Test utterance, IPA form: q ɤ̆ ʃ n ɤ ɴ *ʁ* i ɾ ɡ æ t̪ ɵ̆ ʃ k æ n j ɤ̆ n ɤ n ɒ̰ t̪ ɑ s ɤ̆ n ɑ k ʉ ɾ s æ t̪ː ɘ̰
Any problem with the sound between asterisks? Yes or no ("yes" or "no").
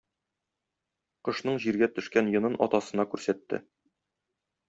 yes